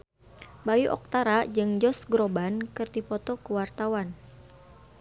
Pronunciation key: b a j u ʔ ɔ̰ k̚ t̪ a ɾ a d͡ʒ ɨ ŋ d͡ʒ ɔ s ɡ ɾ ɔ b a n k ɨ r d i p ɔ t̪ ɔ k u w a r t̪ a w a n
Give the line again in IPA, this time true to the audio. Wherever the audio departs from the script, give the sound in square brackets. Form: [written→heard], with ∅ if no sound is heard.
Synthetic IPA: b a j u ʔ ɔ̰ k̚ t̪ a ɾ a d͡ʒ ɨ ŋ d͡ʒ ɔ s ɡ ɾ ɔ b a n k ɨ r d i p ɔ t̪ ɔ k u w a r t̪ a w a n